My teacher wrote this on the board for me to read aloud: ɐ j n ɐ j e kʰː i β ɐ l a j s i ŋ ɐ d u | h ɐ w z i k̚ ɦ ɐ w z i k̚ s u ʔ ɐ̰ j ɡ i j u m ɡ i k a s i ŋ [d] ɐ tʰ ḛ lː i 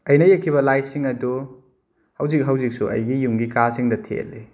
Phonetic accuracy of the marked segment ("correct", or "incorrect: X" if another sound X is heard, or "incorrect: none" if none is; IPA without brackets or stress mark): correct